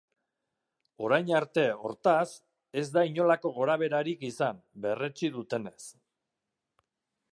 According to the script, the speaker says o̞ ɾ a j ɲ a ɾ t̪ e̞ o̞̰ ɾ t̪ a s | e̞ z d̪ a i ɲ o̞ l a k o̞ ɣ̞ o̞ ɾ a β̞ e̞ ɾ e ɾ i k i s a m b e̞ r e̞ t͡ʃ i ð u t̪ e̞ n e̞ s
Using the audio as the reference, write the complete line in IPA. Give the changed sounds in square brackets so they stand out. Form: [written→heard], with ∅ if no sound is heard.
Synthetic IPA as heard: o̞ ɾ a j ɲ a ɾ t̪ e̞ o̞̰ ɾ t̪ a s | e̞ z d̪ a i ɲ o̞ l a k o̞ ɣ̞ o̞ ɾ a β̞ e̞ ɾ [e→a] ɾ i k i s a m b e̞ r e̞ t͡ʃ i ð u t̪ e̞ n e̞ s